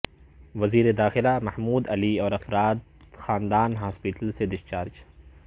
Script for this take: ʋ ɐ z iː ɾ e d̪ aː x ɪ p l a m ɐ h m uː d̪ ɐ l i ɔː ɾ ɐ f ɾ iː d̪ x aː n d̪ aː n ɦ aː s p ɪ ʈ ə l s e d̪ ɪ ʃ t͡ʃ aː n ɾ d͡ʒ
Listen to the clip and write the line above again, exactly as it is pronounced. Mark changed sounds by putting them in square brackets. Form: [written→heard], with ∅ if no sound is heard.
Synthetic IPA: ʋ ɐ z iː ɾ e d̪ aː x ɪ [p→∅] l a m ɐ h m uː d̪ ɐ l i ɔː ɾ ɐ f ɾ [iː→aː] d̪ x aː n d̪ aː n ɦ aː s p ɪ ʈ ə l s e d̪ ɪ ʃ t͡ʃ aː [n→∅] ɾ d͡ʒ